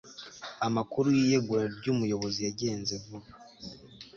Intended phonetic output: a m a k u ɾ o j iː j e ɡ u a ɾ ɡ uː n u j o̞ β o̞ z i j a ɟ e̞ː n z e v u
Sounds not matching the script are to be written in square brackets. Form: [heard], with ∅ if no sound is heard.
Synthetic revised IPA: a m a k u ɾ [u] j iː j e ɡ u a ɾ [ɟ] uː [m] u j o̞ β o̞ z i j a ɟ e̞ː n z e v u